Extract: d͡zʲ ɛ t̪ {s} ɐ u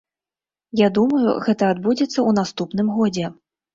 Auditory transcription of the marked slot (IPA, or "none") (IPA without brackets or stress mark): sː